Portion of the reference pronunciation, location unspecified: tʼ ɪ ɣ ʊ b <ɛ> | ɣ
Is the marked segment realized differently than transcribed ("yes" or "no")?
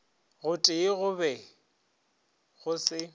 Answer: no